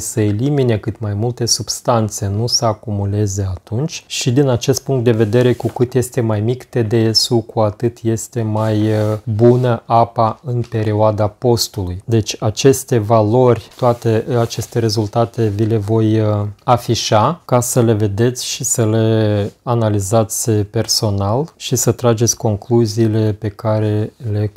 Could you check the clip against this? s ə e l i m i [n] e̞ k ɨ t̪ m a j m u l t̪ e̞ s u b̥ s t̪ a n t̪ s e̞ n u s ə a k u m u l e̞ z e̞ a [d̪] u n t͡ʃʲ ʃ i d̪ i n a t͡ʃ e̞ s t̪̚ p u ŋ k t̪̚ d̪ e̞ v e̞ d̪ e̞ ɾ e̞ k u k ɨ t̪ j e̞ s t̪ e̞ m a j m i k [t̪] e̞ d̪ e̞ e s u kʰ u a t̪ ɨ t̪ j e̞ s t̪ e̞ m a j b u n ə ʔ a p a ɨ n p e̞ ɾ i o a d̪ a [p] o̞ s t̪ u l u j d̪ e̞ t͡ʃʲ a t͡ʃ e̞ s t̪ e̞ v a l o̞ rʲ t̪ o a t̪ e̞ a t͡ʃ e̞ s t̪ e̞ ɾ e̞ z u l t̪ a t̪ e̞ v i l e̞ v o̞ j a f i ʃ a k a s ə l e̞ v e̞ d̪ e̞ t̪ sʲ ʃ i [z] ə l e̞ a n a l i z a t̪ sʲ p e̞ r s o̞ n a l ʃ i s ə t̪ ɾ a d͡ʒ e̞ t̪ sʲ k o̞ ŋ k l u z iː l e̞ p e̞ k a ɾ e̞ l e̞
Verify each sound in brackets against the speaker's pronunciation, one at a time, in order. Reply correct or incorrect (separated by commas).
correct, incorrect, correct, correct, incorrect